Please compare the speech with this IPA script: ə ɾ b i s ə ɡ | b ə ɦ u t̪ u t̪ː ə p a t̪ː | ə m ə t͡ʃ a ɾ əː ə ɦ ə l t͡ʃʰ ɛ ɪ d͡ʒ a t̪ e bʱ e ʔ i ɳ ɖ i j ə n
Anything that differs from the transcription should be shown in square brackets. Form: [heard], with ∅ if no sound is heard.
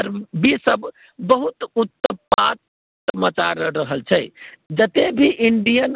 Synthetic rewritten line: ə ɾ b i s ə [b] | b ə ɦ u t̪ u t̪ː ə p a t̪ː | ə m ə t͡ʃ a ɾ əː ə ɦ ə l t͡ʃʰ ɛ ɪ d͡ʒ [ə] t̪ e bʱ [i] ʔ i ɳ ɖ i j ə n

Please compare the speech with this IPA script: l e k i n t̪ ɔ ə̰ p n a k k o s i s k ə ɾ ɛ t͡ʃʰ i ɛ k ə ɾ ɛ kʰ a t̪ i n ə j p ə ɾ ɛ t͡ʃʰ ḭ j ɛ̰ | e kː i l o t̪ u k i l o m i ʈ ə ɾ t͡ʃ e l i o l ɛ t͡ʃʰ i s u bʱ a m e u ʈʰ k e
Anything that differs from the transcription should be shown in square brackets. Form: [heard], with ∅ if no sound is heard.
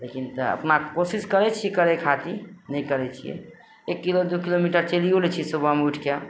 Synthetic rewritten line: l e k i n t̪ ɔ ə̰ p n a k k o s i s k ə ɾ ɛ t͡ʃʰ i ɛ k ə ɾ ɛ kʰ a t̪ i n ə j [k] ə ɾ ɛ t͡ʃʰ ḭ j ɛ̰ | e kː i l o [d̪] u k i l o m i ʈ ə ɾ t͡ʃ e l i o l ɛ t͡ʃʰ i s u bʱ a m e u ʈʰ k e

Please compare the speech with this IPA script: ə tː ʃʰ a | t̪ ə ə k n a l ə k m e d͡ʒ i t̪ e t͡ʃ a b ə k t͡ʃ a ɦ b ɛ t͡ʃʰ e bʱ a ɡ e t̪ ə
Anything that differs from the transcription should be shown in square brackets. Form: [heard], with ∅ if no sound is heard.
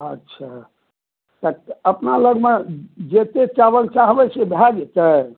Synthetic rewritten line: ə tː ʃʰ a | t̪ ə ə [p] n a l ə [ɡ] m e d͡ʒ [e] t̪ e t͡ʃ a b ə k t͡ʃ a ɦ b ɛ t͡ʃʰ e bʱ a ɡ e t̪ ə

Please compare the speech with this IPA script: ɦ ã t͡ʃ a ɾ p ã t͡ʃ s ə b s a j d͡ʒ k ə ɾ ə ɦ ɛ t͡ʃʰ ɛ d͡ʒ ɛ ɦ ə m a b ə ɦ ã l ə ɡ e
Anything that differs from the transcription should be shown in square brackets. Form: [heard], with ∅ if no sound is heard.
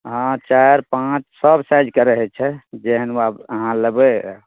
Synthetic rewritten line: ɦ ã t͡ʃ a ɾ p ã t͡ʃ s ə b s a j d͡ʒ k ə ɾ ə ɦ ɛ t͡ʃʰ ɛ d͡ʒ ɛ ɦ ə [n] a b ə ɦ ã l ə [b] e

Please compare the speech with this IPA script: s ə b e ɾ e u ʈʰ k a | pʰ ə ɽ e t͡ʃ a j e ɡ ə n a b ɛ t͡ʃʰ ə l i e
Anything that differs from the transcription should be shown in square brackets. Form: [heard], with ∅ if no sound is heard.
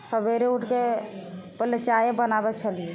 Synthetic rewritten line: s ə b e ɾ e u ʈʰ k [e] | [p] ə [l] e t͡ʃ a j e [b] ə n a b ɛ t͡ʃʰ ə l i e

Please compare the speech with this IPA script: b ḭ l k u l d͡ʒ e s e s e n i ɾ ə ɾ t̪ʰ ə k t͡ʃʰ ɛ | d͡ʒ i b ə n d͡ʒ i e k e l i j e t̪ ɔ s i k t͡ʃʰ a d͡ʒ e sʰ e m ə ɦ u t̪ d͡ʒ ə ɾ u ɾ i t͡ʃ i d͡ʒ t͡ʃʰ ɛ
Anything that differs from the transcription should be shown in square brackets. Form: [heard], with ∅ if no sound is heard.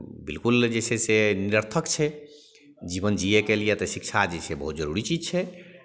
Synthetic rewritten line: b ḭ l k u l d͡ʒ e s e s e n i ɾ ə ɾ t̪ʰ ə k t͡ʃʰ ɛ | d͡ʒ i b ə n d͡ʒ i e k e l i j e t̪ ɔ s i k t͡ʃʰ a d͡ʒ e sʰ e [b] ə ɦ u t̪ d͡ʒ ə ɾ u ɾ i t͡ʃ i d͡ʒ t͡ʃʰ ɛ

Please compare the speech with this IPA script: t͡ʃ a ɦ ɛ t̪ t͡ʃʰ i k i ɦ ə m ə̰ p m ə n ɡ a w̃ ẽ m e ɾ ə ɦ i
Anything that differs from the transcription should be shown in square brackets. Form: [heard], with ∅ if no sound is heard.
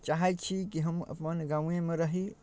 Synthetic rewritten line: t͡ʃ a ɦ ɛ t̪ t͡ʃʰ i k i ɦ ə m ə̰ p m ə n ɡ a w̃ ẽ m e ɾ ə ɦ i

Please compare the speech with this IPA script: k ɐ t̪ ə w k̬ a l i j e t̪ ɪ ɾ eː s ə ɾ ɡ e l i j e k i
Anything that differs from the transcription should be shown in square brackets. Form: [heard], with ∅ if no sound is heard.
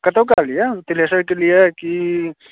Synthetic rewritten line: k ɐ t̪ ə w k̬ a l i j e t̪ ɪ [l] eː s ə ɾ [k] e l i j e k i

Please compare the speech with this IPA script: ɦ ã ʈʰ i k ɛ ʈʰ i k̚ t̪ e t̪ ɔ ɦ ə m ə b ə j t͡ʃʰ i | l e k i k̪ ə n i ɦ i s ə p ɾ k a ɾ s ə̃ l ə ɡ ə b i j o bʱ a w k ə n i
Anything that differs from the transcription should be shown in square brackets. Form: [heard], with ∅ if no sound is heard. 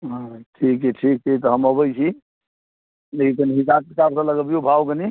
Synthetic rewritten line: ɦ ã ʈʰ i k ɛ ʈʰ i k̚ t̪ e t̪ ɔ ɦ ə m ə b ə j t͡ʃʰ i | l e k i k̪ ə n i ɦ i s [a] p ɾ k a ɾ s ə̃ l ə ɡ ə b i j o bʱ a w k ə n i

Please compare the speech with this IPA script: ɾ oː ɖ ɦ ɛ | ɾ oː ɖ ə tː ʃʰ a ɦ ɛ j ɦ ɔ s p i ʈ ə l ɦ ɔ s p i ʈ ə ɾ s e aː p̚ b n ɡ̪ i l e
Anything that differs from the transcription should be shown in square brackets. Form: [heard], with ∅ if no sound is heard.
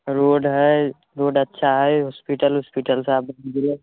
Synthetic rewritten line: ɾ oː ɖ ɦ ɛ | ɾ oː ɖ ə tː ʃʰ a ɦ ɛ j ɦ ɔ s p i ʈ ə l ɦ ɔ s p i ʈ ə [l] s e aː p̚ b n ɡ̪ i l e

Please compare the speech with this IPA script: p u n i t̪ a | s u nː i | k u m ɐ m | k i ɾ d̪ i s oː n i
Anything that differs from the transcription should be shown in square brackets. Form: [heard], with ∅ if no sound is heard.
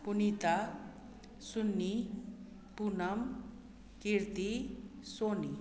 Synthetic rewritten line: p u n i t̪ a | s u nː i | [p] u [n] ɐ m | k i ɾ [t̪] i s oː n i

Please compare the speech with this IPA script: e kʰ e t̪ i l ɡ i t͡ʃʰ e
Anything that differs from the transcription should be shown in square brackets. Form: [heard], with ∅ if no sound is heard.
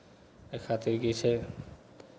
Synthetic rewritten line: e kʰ [a] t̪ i [ɾ] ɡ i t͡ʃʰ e

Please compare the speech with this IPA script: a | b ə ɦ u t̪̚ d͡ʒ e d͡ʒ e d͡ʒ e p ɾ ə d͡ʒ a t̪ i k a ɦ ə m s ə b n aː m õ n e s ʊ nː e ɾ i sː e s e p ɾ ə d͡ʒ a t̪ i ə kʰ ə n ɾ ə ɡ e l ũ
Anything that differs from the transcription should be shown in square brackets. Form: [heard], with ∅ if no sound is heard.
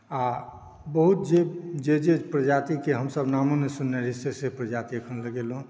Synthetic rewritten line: a | b ə ɦ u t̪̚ d͡ʒ e d͡ʒ e d͡ʒ e p ɾ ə d͡ʒ a t̪ i k [e] ɦ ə m s ə b n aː m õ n e s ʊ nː e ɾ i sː e s e p ɾ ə d͡ʒ a t̪ i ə kʰ ə n [l] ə ɡ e l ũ

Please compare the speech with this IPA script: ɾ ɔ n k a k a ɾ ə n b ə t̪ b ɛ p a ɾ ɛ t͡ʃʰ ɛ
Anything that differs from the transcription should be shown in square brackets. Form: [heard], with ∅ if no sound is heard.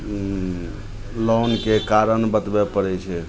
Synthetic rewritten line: [l] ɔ n k [e] k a ɾ ə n b ə t̪ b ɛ p [ə] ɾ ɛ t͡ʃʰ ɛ

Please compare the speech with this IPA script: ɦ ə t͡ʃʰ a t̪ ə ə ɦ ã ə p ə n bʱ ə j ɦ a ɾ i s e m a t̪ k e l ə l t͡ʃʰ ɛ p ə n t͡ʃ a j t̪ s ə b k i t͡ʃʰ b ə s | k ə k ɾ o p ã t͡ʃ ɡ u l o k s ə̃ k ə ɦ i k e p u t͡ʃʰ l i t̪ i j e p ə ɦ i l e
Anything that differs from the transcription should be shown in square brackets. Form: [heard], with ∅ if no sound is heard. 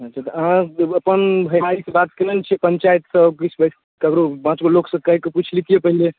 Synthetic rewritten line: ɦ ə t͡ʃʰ a t̪ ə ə ɦ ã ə p ə n bʱ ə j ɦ a ɾ i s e [b] a t̪ k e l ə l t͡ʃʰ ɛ p ə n t͡ʃ a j t̪ s ə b k i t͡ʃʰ b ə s | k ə k ɾ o p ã t͡ʃ ɡ [o] l o k s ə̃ k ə ɦ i k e p u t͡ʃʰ l i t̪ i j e p ə ɦ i l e

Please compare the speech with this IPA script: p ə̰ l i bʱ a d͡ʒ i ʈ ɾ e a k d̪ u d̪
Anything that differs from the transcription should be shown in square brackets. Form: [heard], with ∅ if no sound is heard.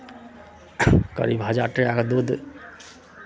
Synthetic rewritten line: [k] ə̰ [ɾ] i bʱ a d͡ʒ [a] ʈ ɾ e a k d̪ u d̪

